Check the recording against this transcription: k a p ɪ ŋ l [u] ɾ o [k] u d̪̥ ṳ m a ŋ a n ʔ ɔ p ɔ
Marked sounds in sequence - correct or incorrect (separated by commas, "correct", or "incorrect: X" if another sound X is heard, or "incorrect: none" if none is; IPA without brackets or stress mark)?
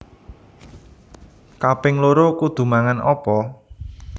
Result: incorrect: o, correct